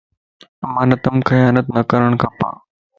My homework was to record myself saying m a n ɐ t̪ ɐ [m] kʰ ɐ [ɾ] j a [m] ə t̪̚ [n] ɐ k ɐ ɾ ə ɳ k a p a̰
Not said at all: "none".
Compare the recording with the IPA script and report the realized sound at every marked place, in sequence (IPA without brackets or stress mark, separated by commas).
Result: m, none, n, n